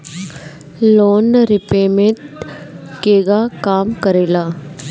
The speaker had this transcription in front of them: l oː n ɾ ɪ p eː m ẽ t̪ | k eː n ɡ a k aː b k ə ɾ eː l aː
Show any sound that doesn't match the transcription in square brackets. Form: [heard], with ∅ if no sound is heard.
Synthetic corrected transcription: l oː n ɾ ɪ p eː m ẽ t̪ | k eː [∅] ɡ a k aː [m] k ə ɾ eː l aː